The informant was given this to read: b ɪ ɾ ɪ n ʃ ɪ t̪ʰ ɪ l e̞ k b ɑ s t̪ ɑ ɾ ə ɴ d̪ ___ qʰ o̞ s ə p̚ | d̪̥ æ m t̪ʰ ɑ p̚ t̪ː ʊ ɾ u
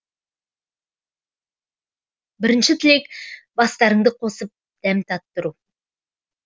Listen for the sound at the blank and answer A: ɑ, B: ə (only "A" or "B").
B